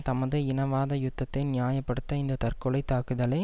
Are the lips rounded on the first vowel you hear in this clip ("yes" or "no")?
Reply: no